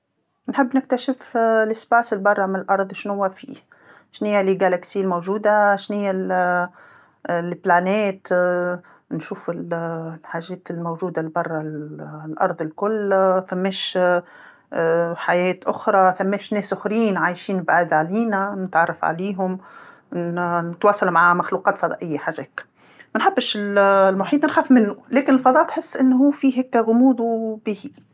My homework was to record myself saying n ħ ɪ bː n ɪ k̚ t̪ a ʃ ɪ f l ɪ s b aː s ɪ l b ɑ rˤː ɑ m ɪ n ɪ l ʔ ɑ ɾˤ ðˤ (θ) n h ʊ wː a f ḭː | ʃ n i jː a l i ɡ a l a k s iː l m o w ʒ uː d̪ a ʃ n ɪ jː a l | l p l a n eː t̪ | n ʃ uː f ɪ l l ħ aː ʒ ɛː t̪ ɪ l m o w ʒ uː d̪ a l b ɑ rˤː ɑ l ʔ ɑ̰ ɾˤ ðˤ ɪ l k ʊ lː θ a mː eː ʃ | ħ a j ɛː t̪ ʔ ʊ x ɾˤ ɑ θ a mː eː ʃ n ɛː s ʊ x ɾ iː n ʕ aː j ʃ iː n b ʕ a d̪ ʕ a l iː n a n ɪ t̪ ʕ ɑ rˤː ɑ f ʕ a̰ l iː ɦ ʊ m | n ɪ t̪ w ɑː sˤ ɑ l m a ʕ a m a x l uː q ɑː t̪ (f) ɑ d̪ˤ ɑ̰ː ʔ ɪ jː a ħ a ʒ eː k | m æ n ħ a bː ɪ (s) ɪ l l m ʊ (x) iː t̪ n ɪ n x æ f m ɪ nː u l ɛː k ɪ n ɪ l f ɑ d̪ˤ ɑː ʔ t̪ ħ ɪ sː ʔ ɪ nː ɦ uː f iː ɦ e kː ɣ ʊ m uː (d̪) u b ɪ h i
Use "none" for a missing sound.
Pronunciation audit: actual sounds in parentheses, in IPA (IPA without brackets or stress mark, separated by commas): ʃ, f, ʃ, ħ, d̪